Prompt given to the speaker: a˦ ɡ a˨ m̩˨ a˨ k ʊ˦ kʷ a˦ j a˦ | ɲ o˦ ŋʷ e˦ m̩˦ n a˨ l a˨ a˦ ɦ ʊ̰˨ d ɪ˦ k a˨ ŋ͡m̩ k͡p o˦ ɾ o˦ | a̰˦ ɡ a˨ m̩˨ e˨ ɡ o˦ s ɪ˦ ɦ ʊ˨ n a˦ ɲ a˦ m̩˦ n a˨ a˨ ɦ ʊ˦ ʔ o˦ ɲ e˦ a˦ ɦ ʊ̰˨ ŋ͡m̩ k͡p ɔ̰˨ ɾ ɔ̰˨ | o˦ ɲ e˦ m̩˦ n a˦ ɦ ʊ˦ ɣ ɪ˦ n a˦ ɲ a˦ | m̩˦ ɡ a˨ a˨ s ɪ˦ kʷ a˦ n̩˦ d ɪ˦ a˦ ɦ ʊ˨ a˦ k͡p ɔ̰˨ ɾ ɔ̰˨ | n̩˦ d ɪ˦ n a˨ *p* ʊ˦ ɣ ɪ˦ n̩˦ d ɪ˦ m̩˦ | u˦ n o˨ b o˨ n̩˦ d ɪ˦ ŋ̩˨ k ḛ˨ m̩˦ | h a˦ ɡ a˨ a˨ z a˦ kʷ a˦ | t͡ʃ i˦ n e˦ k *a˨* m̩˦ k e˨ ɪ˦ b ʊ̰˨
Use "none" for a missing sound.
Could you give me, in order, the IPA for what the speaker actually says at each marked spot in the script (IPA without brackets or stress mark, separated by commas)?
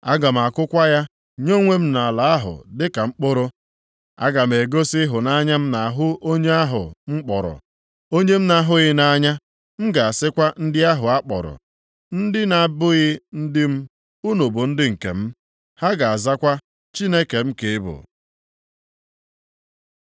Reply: b, e˨